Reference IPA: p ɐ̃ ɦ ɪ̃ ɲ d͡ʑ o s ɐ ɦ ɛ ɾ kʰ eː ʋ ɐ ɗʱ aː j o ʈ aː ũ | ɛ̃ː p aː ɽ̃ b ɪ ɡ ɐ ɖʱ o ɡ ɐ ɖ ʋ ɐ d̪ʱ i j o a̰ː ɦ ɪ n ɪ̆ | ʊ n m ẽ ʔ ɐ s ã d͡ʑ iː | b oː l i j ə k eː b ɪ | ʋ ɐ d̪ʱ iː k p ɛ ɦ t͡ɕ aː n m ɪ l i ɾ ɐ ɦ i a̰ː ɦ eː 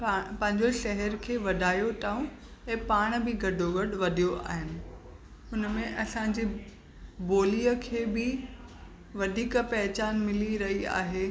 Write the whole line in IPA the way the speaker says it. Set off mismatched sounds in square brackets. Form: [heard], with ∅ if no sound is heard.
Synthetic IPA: p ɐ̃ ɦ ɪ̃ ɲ d͡ʑ o [ʃ] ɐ ɦ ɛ ɾ kʰ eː ʋ ɐ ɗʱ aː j o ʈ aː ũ | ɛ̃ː p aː ɽ̃ b ɪ ɡ ɐ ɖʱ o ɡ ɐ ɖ ʋ ɐ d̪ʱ i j o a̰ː ɦ ɪ n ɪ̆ | ʊ n m ẽ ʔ ɐ s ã d͡ʑ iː | b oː l i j ə [kʰ] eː b ɪ | ʋ ɐ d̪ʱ iː k p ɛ ɦ t͡ɕ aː n m ɪ l i ɾ ɐ ɦ i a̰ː ɦ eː